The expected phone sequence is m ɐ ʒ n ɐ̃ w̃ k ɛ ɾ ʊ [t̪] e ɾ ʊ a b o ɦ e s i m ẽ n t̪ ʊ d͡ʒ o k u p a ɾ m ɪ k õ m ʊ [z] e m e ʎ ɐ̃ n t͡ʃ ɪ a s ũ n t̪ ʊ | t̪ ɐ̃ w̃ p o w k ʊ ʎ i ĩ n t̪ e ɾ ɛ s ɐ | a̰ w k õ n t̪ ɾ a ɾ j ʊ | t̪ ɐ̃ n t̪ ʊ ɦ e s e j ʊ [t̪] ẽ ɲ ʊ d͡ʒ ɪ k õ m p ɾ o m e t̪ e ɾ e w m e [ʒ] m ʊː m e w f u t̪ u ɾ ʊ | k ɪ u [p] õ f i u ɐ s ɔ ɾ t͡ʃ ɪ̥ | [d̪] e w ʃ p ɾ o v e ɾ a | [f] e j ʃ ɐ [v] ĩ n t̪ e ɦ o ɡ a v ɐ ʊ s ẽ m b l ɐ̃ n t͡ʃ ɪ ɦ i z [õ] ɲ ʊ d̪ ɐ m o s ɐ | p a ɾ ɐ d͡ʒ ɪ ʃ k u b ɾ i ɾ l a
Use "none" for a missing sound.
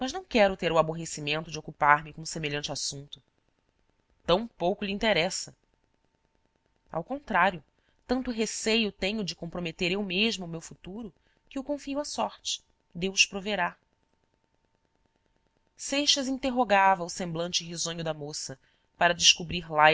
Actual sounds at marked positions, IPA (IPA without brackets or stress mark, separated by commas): t̪, s, t̪, ʒ, k, d̪, s, z, õ